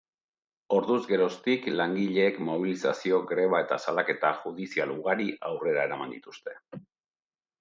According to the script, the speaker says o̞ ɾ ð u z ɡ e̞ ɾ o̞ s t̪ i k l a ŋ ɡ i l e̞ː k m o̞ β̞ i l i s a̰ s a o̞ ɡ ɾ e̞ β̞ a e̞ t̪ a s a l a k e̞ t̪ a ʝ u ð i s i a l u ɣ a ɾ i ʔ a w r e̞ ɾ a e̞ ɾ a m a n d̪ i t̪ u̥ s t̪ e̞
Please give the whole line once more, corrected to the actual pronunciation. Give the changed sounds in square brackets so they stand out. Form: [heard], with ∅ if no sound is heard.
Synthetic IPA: o̞ ɾ ð u z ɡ e̞ ɾ o̞ s t̪ i k l a ŋ ɡ i [ʎ] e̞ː k m o̞ β̞ i l i s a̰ s [i] o̞ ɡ ɾ e̞ β̞ a e̞ t̪ a s a l a k e̞ t̪ a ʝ u ð i s i a l u ɣ a ɾ i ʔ a w r e̞ ɾ a e̞ ɾ a m a n d̪ i t̪ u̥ s t̪ e̞